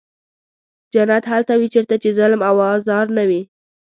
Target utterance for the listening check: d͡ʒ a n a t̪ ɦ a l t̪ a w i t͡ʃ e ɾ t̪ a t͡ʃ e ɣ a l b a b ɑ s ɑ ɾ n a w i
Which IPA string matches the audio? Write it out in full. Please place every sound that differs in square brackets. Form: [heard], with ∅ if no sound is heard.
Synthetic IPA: d͡ʒ a n a t̪ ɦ a l t̪ a w i t͡ʃ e ɾ t̪ a t͡ʃ e [z] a l [m] a [w] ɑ [z] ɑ ɾ n a w i